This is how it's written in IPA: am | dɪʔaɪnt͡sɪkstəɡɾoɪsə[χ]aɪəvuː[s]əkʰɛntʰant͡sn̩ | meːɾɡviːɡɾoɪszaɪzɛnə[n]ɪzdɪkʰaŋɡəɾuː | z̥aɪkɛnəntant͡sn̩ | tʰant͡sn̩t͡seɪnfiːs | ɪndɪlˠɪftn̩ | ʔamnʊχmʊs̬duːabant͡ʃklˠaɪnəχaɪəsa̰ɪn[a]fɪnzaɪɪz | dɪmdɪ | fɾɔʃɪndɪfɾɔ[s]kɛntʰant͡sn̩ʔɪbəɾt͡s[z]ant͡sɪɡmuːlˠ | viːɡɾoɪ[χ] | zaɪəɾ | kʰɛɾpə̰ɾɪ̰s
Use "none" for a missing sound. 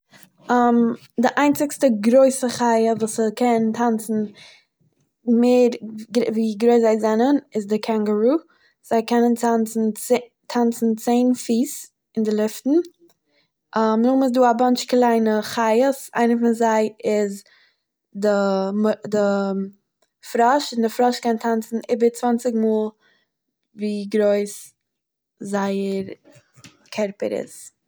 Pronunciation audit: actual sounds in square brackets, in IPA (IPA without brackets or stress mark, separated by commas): χ, s, n, ə, ʃ, v, s